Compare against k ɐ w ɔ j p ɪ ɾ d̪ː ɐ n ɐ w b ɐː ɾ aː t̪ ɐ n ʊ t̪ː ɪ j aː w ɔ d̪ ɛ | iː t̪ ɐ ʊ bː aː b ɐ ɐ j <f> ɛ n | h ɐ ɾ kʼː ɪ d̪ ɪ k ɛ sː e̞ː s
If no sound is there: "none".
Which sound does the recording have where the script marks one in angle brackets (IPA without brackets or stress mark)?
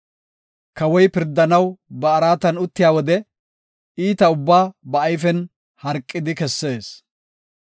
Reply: f